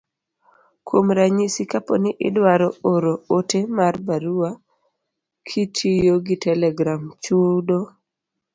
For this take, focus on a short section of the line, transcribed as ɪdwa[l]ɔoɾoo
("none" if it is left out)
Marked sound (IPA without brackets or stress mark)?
ɾ